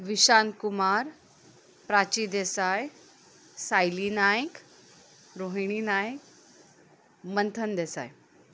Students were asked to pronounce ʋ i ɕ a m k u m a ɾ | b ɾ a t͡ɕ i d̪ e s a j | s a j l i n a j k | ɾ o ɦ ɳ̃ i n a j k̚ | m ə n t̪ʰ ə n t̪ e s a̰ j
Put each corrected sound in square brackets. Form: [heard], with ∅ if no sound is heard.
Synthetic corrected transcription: ʋ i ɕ a [n] k u m a ɾ | [p] ɾ a t͡ɕ i d̪ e s a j | s a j l i n a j k | ɾ o ɦ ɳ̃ i n a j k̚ | m ə n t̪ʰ ə n [d̪] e s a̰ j

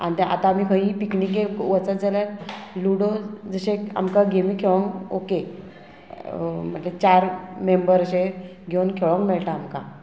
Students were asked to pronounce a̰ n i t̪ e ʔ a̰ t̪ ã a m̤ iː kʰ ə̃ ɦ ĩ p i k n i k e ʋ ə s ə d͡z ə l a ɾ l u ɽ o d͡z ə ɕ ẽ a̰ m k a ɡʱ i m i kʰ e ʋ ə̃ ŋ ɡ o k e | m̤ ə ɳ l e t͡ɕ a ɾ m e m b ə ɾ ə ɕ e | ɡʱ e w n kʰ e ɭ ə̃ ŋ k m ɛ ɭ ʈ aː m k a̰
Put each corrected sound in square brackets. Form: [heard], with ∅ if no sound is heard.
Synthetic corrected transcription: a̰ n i t̪ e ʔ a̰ t̪ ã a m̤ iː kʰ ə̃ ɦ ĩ p i k n i k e ʋ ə [t͡s] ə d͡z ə l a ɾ l u ɽ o d͡z ə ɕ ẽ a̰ m k a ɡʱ [e] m i kʰ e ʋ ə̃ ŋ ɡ o k e | m̤ ə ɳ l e t͡ɕ a ɾ m e m b ə ɾ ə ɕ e | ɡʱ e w n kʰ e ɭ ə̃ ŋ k m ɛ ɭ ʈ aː m k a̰

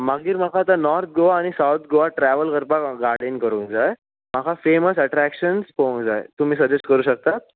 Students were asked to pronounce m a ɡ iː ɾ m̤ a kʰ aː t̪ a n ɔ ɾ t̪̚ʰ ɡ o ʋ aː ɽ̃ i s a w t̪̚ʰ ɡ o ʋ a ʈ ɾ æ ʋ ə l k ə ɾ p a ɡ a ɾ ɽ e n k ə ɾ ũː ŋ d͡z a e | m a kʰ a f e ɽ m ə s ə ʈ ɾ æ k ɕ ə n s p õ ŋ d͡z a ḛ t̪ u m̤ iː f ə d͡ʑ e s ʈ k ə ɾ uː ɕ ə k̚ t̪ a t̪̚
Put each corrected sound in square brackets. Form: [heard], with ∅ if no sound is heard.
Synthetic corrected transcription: m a ɡ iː ɾ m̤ a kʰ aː t̪ a n ɔ ɾ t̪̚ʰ ɡ o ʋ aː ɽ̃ i s a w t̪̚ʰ ɡ o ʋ a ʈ ɾ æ ʋ ə l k ə ɾ p a ɡ a ɾ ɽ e n k ə ɾ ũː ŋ d͡z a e | m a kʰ a f e [∅] m ə s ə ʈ ɾ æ k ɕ ə n s p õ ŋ d͡z a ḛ t̪ u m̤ iː [s] ə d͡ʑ e s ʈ k ə ɾ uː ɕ ə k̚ t̪ a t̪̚

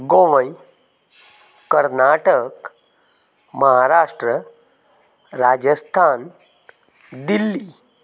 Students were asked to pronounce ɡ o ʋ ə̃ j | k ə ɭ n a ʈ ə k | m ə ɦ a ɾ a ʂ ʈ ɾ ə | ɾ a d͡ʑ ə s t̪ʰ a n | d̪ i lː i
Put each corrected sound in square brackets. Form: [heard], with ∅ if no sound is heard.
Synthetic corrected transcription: ɡ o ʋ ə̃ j | k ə [ɾ] n a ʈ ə k | m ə ɦ a ɾ a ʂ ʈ ɾ ə | ɾ a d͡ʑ ə s t̪ʰ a n | d̪ i lː i

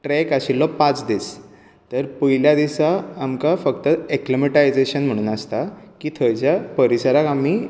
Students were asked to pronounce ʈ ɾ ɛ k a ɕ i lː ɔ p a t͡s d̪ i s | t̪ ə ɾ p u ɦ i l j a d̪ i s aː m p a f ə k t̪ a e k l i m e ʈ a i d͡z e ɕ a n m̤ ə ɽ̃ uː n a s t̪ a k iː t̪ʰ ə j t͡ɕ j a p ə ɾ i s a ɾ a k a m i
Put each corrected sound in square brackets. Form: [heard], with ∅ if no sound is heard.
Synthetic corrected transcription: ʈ ɾ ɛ k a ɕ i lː ɔ p a t͡s d̪ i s | t̪ ə ɾ p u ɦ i l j a d̪ i s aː m [k] a f ə k t̪ [ə] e k l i m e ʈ a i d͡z e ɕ [ə] n m̤ ə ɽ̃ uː n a s t̪ a k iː t̪ʰ ə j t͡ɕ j a p ə ɾ i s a ɾ a k a m i

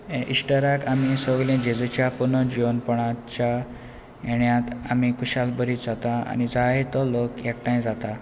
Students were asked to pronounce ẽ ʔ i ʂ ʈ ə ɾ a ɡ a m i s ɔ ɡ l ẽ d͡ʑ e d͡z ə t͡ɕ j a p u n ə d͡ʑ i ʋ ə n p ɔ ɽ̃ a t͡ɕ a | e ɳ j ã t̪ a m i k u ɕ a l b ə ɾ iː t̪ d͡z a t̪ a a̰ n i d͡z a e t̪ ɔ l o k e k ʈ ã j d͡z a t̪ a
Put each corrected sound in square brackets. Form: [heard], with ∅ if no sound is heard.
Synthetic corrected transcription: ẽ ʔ i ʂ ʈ ə ɾ a [k] a m i s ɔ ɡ l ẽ d͡ʑ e d͡z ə t͡ɕ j a p u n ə d͡ʑ i ʋ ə n p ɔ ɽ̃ a t͡ɕ a | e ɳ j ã t̪ a m i k u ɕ a l b ə ɾ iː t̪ d͡z a t̪ a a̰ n i d͡z a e t̪ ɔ l o k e k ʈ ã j d͡z a t̪ a

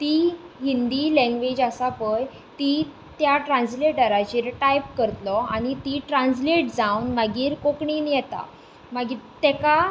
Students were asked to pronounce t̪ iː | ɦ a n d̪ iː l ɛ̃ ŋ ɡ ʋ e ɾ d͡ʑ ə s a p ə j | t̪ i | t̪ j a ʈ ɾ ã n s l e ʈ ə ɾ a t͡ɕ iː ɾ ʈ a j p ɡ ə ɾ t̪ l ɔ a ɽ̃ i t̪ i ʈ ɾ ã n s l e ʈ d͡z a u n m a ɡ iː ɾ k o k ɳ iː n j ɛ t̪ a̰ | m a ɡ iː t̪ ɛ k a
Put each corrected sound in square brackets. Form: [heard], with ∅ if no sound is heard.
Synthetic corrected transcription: t̪ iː | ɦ [i] n d̪ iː l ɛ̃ ŋ ɡ ʋ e [∅] d͡ʑ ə s a p ə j | t̪ i | t̪ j a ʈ ɾ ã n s l e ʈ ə ɾ a t͡ɕ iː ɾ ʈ a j p [k] ə ɾ t̪ l ɔ a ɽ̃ i t̪ i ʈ ɾ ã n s l e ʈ d͡z a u n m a ɡ iː ɾ k o k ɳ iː n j ɛ t̪ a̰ | m a ɡ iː t̪ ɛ k a

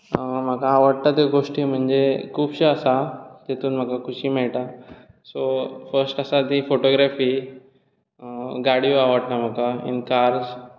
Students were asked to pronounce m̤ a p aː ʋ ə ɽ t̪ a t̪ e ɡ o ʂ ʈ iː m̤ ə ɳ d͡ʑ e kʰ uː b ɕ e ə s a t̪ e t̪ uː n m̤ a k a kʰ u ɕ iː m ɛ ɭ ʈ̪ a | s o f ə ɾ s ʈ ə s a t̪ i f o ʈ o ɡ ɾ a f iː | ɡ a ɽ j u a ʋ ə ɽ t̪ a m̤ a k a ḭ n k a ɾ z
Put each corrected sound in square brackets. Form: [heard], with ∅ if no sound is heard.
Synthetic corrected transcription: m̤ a [k] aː ʋ ə ɽ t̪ a t̪ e ɡ o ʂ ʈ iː m̤ ə ɳ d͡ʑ e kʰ uː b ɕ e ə s a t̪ e t̪ uː n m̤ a k a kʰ u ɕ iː m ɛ ɭ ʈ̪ a | s o f ə ɾ s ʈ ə s a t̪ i f o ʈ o ɡ ɾ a f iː | ɡ a ɽ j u a ʋ ə ɽ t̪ a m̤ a k a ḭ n k a ɾ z

